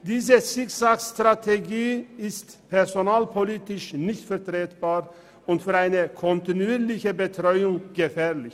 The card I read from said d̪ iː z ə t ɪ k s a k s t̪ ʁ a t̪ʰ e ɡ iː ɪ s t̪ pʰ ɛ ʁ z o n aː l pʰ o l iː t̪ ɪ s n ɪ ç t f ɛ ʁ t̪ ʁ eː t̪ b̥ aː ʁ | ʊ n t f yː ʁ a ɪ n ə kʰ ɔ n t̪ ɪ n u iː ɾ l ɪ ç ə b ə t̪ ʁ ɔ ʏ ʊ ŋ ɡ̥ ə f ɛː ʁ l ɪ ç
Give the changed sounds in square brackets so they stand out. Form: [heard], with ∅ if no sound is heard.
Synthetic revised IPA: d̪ iː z ə [s] ɪ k s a k s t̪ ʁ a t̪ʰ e ɡ iː ɪ s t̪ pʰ ɛ ʁ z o n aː l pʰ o l iː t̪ ɪ [ʃ] n ɪ ç t f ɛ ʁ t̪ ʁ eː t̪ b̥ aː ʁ | ʊ n t f yː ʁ a ɪ n ə kʰ ɔ n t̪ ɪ n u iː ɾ l ɪ ç ə b ə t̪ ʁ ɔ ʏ ʊ ŋ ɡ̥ ə f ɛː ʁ l ɪ ç